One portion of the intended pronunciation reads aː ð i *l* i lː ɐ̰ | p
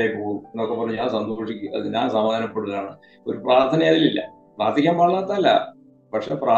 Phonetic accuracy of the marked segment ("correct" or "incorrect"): correct